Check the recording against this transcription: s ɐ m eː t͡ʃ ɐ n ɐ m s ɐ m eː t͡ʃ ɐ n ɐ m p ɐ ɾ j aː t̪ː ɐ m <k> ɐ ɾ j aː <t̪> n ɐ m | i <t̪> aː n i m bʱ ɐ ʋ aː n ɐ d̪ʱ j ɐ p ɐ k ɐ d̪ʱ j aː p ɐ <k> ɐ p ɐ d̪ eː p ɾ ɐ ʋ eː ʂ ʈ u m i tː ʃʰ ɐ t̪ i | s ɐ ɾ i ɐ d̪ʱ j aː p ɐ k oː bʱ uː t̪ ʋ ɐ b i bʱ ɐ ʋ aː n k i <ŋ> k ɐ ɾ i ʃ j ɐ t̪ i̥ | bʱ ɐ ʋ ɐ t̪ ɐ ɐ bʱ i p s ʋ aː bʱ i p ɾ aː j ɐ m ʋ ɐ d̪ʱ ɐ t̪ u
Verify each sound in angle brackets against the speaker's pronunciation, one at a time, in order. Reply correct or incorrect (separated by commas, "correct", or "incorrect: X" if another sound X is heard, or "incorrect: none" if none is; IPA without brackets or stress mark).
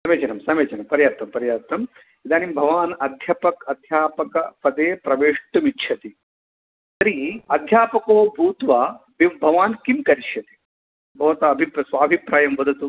incorrect: p, correct, incorrect: d̪, correct, incorrect: m